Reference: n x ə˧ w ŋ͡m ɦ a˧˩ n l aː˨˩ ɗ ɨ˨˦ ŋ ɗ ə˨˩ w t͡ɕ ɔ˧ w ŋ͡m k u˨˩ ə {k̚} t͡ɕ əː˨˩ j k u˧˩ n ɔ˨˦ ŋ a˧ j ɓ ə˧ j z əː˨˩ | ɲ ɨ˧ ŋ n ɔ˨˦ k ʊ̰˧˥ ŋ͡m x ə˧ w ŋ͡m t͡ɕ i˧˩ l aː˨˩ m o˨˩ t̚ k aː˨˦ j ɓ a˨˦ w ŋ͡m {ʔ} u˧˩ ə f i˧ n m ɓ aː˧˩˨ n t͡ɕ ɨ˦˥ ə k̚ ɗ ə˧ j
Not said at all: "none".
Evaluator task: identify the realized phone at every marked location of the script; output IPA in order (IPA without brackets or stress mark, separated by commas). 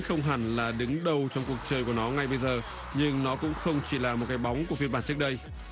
k̚, k